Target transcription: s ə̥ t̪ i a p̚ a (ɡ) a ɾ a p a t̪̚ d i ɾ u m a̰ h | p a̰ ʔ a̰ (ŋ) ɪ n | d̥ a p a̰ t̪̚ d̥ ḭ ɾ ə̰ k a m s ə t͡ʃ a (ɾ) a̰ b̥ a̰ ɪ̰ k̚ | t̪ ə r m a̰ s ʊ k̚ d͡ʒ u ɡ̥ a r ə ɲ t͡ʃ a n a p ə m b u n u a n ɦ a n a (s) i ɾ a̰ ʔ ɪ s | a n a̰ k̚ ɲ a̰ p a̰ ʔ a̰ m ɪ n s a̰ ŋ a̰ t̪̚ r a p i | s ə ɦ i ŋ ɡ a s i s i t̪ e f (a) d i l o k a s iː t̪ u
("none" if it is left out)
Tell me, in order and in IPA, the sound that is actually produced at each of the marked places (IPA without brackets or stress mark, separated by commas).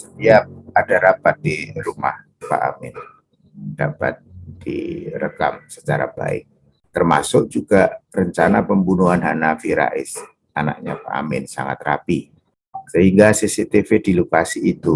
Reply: d, m, ɾ, f, e